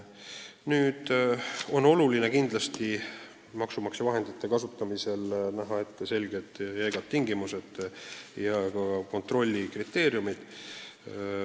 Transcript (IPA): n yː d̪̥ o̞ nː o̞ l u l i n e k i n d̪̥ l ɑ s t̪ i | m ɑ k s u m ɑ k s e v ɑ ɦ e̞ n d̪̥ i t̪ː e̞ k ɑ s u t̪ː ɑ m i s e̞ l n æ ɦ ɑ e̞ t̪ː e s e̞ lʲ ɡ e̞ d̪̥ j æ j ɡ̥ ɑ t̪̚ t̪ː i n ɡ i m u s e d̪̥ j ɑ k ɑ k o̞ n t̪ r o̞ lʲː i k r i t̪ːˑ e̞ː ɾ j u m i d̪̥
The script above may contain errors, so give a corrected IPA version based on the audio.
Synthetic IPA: n yː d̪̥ o̞ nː o̞ l u l i n e k i n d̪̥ l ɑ s t̪ i | m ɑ k s u m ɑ k s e v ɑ ɦ e̞ n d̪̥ i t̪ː e̞ k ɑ s u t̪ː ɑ m i s e̞ l n æ ɦ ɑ e̞ t̪ː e s e̞ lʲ ɡ e̞ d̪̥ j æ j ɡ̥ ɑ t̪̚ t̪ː i ŋ ɡ i m u s e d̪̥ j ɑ k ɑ k o̞ n t̪ r o̞ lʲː i k r i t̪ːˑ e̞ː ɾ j u m i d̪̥